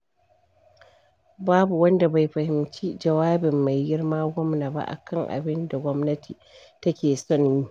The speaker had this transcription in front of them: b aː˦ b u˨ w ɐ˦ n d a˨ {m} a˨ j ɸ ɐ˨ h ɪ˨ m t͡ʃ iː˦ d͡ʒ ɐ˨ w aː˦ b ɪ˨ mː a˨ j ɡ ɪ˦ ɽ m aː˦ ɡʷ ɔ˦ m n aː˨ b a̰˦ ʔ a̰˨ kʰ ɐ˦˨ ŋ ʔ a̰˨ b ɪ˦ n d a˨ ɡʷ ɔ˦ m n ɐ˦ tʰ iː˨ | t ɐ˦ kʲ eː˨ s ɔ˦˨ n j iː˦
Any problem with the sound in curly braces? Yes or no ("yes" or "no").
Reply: yes